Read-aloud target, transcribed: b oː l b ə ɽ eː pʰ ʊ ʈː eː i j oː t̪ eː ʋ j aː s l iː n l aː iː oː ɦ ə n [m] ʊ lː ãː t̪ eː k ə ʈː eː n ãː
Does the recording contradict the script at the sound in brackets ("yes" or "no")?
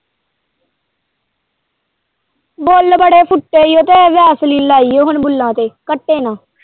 yes